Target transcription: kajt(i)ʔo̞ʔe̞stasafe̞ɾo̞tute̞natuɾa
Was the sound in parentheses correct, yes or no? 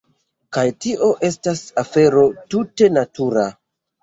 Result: yes